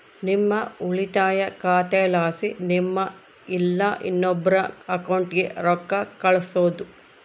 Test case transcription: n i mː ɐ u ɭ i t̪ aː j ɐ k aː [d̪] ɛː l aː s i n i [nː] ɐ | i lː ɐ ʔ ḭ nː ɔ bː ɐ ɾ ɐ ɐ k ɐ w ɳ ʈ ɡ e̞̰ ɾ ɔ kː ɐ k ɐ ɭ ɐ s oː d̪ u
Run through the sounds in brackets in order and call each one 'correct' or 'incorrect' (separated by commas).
incorrect, incorrect